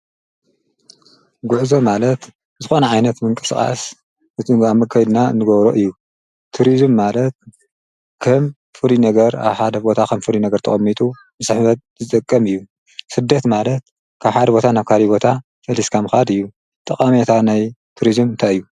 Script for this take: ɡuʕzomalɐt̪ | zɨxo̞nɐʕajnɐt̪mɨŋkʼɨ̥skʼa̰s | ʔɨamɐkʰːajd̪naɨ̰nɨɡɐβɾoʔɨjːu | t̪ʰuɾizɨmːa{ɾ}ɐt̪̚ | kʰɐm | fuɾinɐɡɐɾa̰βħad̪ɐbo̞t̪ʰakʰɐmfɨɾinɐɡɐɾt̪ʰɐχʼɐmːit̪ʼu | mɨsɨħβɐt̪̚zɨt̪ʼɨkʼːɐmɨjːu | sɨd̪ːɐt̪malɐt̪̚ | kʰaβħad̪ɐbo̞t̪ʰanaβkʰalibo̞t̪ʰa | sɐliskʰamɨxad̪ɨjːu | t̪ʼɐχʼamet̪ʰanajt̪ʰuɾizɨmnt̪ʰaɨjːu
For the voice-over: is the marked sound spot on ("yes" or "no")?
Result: no